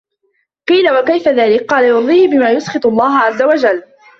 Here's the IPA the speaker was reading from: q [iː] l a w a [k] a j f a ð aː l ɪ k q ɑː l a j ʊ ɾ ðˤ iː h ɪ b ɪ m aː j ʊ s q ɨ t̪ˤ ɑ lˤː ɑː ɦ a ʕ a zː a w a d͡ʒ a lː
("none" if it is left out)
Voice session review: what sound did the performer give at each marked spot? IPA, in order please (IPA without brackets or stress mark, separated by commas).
iː, k